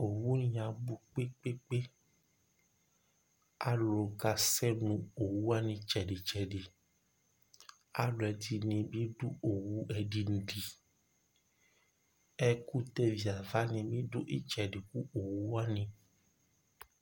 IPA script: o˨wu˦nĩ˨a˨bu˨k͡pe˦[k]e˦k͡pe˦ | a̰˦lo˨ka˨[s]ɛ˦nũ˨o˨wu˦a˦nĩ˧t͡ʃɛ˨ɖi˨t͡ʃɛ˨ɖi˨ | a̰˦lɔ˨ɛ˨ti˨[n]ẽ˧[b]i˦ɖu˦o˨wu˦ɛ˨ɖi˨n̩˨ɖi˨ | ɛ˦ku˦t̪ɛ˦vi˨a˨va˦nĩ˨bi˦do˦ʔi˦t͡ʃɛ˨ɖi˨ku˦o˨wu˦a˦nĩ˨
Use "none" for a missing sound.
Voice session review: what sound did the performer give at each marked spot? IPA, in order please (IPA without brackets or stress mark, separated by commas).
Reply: k͡p, s, n, b